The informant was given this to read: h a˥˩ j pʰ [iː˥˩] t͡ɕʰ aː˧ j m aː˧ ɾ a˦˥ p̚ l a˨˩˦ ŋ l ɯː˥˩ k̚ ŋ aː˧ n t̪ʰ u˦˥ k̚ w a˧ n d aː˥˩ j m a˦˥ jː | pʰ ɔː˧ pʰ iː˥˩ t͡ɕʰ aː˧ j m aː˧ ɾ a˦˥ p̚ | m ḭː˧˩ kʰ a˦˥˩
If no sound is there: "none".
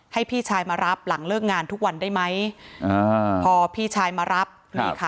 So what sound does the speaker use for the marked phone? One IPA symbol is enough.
iː˥˩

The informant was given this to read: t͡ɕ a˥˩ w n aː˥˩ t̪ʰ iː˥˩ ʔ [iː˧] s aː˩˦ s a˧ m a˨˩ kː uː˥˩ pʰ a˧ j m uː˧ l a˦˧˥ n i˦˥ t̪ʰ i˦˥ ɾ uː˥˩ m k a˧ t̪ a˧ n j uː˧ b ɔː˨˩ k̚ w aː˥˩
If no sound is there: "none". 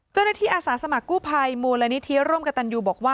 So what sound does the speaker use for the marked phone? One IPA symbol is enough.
aː˧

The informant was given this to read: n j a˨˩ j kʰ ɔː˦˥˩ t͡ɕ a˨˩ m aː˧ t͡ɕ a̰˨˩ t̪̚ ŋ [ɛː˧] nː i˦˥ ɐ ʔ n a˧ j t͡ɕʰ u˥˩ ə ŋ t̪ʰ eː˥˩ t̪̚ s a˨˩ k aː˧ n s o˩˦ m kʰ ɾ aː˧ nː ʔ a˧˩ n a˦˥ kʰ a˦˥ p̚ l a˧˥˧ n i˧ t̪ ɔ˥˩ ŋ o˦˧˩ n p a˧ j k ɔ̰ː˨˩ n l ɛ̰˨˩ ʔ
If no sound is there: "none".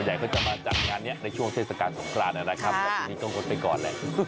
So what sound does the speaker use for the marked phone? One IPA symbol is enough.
aː˧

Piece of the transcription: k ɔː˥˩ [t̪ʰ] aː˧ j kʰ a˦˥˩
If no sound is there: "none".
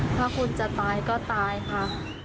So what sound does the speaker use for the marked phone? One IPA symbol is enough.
t̪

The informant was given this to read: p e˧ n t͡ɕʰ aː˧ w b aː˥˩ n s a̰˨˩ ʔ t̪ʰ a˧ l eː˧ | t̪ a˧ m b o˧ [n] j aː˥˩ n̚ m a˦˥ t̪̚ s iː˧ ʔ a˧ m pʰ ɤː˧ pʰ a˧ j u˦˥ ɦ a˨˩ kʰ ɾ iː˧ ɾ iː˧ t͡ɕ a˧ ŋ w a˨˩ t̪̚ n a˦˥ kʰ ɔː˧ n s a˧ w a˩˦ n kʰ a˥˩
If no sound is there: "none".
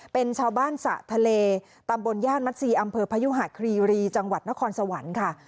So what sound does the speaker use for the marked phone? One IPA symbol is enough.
n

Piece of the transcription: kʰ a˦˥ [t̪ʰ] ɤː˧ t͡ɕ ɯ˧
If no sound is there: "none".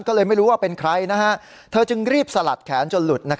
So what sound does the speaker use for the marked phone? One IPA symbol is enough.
t̪ʰ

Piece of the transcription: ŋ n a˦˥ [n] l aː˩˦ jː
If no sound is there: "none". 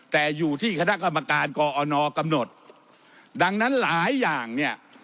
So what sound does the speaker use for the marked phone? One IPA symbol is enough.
n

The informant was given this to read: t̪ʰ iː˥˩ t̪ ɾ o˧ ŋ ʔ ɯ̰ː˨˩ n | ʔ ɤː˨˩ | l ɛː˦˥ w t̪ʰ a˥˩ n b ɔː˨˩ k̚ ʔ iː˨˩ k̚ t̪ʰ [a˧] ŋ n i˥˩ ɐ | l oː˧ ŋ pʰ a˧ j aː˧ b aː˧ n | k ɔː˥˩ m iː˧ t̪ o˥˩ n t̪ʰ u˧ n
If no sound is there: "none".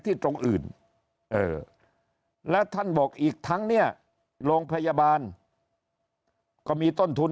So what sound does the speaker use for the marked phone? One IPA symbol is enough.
a˦˥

